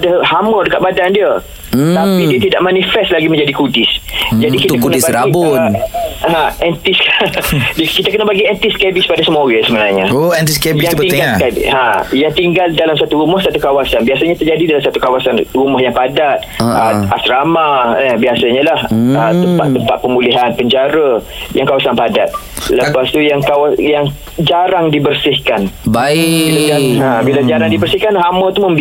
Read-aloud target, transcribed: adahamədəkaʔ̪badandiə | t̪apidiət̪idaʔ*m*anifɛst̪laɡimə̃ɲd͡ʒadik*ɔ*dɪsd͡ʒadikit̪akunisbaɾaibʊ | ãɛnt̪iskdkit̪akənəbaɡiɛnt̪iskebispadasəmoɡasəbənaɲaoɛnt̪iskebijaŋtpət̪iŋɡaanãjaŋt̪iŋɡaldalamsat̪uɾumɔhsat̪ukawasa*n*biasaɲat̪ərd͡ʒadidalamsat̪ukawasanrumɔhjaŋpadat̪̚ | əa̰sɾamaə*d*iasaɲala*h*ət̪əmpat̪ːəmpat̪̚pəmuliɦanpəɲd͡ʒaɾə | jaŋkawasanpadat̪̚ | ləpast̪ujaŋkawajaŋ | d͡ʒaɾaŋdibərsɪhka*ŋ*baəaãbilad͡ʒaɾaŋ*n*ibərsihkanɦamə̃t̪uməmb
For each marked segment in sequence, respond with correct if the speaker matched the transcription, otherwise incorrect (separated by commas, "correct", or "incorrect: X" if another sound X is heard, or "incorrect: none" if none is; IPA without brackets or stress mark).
correct, incorrect: u, correct, incorrect: b, correct, incorrect: n, incorrect: d